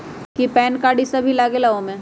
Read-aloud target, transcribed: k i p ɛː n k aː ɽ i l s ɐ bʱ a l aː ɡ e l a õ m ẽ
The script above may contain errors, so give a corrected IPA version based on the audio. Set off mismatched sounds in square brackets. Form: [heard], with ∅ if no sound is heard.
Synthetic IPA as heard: k i p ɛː n k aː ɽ i [∅] s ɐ bʱ [i] l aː ɡ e l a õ m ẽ